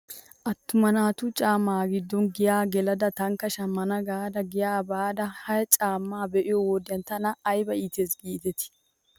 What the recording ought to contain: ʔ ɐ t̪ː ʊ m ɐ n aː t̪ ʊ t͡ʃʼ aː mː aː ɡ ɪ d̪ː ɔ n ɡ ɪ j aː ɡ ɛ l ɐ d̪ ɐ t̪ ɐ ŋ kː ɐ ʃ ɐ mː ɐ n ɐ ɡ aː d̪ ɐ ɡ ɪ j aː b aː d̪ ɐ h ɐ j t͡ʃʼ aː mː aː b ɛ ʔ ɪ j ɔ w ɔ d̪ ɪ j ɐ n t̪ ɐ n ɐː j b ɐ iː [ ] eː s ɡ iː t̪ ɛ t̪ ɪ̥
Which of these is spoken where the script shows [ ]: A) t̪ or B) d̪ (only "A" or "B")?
A